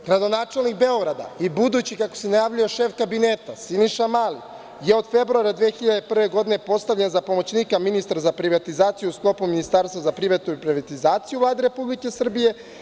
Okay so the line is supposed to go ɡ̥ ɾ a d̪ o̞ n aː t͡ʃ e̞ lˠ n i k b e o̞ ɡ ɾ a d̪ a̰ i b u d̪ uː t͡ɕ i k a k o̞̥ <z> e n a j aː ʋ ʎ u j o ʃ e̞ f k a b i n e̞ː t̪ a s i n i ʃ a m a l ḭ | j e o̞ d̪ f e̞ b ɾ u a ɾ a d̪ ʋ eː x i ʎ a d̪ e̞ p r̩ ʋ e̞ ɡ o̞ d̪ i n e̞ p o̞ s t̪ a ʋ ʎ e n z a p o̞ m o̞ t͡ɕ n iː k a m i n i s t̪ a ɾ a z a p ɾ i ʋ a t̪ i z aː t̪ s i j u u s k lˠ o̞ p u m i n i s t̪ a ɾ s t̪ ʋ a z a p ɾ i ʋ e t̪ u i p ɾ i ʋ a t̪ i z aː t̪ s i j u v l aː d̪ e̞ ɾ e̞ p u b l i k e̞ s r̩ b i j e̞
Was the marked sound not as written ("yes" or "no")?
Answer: yes